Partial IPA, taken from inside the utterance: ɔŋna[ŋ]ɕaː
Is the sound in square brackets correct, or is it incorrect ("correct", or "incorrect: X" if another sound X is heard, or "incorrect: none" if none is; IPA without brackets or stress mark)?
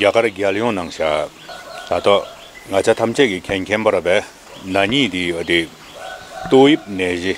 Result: correct